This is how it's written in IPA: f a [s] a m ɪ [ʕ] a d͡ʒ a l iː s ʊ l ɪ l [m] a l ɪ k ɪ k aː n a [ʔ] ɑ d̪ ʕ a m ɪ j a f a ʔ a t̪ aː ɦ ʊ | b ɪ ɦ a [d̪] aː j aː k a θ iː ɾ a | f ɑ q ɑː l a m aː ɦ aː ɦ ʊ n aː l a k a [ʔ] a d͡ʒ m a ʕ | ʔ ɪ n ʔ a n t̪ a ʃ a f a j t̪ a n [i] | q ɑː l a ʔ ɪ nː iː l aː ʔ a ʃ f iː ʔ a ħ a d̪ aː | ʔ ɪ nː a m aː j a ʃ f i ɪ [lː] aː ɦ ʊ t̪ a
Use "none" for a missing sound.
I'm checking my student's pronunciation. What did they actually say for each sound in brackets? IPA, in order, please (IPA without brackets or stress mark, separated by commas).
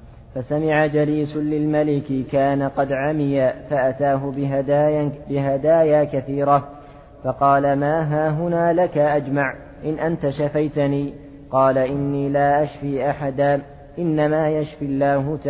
s, ʕ, m, q, d̪, ʔ, iː, lː